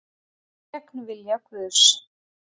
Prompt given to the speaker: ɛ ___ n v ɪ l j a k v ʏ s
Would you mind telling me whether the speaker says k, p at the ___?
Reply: k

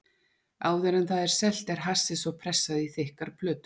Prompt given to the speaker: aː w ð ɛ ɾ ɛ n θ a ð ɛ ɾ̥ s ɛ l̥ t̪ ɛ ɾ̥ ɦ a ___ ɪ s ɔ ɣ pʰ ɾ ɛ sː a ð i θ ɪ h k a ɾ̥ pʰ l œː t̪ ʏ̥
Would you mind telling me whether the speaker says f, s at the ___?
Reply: s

